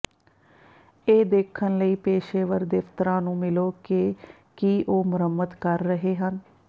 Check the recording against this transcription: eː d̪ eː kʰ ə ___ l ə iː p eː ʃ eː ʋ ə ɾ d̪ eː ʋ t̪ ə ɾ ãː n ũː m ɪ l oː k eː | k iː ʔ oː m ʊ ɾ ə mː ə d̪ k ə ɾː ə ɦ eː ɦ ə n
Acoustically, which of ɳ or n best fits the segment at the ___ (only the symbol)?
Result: n